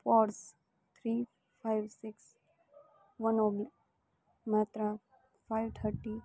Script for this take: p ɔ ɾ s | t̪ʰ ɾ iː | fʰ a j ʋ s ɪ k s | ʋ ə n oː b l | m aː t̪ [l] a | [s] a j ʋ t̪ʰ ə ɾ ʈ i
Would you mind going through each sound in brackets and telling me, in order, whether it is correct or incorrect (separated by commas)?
incorrect, incorrect